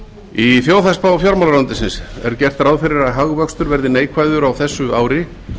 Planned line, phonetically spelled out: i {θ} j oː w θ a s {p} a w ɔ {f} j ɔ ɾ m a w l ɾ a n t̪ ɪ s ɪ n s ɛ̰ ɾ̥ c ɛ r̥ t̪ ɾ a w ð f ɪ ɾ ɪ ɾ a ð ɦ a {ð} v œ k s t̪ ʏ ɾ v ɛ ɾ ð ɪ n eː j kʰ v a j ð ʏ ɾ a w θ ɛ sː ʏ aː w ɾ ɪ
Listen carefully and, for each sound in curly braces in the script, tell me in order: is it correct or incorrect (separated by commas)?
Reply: correct, correct, correct, incorrect